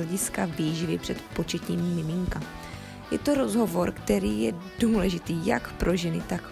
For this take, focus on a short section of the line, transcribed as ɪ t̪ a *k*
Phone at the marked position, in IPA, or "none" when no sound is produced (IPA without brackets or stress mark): k